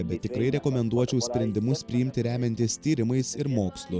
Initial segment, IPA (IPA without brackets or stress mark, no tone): bʲ